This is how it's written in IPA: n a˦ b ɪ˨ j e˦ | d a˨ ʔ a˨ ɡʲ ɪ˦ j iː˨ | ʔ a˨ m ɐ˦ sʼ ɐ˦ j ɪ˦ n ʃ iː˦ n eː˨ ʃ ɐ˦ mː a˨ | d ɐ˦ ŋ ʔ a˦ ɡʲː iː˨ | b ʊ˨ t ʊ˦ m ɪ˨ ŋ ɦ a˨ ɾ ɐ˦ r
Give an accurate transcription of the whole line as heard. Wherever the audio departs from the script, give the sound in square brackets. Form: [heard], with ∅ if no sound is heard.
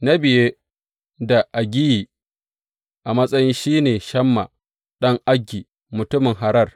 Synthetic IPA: n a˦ b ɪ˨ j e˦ | d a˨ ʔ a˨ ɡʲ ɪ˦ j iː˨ | ʔ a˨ m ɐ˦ sʼ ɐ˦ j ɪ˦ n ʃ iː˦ n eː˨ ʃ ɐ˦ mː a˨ | [ɗ] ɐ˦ ŋ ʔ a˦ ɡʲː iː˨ | [m] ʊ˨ t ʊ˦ m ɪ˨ ŋ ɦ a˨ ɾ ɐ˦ r